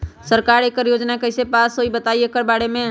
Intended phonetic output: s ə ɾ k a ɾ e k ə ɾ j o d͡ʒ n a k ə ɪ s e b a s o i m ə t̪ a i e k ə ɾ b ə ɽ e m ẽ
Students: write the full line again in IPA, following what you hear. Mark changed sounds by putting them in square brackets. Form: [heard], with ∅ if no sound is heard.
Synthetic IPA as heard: s ə ɾ k a ɾ e k ə ɾ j o d͡ʒ n a k ə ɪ s e [p] a s o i [b] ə t̪ a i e k ə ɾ b [a] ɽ e m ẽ